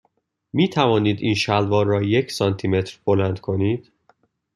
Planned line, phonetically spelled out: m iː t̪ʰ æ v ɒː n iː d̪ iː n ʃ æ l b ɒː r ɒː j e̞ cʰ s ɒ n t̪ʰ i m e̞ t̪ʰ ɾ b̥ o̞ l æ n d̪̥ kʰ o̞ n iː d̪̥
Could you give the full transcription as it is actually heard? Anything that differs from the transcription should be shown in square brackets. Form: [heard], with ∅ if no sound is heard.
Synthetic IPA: m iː t̪ʰ æ v ɒː n iː d̪ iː n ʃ æ l [v] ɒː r ɒː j e̞ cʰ s ɒ n t̪ʰ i m e̞ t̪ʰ ɾ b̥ o̞ l æ n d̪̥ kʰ o̞ n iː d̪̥